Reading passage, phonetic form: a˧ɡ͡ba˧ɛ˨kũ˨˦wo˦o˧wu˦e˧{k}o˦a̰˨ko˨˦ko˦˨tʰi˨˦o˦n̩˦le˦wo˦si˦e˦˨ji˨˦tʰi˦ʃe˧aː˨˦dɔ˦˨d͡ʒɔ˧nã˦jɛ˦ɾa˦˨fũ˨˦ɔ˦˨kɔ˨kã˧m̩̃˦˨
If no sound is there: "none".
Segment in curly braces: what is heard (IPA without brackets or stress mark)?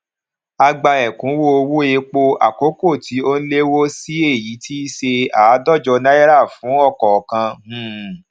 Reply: k͡p